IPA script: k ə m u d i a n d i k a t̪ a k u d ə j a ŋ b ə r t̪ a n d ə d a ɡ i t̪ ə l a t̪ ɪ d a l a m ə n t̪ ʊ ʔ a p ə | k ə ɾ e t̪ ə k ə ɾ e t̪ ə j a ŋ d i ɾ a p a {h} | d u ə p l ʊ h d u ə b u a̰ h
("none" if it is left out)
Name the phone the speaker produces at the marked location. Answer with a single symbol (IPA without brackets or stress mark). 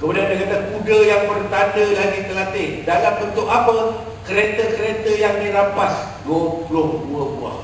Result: s